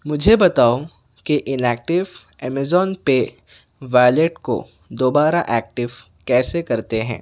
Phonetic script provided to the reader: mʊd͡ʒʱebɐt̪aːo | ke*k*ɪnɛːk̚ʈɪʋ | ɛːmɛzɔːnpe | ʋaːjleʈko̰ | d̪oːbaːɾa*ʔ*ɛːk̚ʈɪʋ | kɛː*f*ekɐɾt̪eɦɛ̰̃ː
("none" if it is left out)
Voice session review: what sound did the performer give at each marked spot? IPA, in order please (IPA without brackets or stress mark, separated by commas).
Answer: ʔ, ʔ, s